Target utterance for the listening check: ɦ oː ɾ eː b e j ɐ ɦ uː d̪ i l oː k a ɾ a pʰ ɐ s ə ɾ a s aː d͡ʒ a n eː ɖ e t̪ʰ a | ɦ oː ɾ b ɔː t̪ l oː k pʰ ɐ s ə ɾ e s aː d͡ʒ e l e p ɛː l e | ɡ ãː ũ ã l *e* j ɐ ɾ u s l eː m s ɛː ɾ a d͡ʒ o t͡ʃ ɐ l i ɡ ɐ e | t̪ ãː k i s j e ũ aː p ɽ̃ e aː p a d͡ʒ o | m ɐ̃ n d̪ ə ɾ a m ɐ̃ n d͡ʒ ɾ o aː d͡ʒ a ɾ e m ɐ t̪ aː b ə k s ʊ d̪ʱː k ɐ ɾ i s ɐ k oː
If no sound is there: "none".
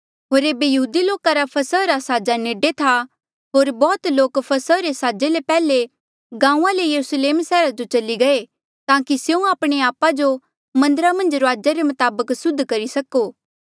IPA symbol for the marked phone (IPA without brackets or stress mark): e